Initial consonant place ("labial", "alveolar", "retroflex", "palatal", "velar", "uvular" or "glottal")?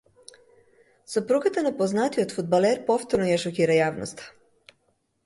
alveolar